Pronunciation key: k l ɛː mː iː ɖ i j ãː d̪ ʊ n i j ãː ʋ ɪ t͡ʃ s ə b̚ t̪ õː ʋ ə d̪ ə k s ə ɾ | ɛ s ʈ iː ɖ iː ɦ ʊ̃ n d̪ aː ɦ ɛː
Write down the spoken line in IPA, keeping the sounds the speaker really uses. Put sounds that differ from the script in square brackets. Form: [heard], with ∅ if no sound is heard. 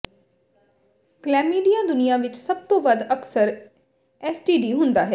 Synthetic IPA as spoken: k l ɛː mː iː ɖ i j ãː d̪ ʊ n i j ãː ʋ ɪ t͡ʃ s ə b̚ t̪ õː ʋ ə d̪ ə k s ə ɾ | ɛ s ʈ iː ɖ iː ɦ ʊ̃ n d̪ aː ɦ ɛː